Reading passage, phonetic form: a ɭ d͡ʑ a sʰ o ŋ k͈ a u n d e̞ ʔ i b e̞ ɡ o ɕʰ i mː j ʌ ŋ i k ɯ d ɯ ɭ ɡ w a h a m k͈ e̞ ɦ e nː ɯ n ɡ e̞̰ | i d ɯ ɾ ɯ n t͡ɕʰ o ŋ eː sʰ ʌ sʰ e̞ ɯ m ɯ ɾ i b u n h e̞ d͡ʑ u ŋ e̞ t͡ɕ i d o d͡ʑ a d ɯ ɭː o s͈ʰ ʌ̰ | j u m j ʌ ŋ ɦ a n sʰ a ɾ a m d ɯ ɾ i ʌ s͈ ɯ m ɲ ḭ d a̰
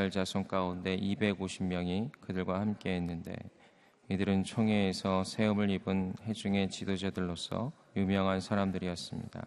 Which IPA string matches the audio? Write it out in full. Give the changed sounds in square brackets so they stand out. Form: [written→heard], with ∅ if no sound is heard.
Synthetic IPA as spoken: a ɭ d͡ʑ a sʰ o ŋ k͈ a u n d e̞ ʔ i b e̞ ɡ o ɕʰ i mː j ʌ ŋ i k ɯ d ɯ ɭ ɡ w a h a m k͈ e̞ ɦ e nː ɯ n [ɡ→d] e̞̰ | i d ɯ ɾ ɯ n t͡ɕʰ o ŋ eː sʰ ʌ sʰ e̞ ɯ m ɯ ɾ i b [u→ɯ] n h e̞ d͡ʑ u ŋ e̞ t͡ɕ i d o d͡ʑ a d ɯ ɭː o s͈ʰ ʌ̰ | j u m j ʌ ŋ ɦ a n sʰ a ɾ a m d ɯ ɾ i ʌ s͈ ɯ m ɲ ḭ d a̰